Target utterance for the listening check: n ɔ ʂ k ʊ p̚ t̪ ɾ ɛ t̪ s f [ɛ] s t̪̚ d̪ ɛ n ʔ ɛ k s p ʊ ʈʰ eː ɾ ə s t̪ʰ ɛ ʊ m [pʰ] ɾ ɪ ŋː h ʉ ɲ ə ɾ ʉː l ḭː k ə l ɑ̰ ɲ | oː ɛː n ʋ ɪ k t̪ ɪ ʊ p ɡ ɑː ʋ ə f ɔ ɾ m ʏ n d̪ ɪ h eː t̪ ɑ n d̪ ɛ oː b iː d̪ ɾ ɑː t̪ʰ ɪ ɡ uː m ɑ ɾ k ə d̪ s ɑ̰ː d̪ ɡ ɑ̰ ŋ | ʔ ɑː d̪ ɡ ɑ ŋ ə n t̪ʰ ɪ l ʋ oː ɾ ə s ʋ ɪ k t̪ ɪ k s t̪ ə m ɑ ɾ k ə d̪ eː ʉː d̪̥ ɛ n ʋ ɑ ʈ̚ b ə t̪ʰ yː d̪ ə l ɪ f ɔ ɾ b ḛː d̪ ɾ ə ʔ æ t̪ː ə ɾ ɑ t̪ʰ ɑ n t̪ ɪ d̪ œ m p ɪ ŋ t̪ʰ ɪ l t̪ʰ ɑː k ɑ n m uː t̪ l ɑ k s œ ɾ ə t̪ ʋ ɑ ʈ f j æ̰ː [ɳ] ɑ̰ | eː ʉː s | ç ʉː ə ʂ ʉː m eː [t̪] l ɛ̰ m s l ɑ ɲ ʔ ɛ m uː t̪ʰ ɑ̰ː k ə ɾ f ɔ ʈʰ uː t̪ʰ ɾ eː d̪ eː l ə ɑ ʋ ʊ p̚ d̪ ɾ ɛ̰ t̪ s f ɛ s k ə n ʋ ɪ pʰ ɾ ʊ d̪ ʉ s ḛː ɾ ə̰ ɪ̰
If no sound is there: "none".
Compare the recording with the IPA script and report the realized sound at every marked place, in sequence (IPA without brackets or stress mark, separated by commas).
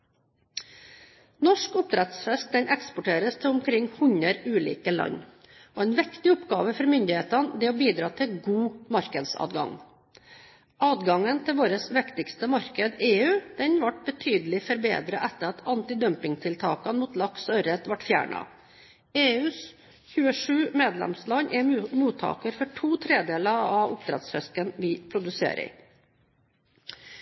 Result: ɛ, kʰ, ɳ, d̪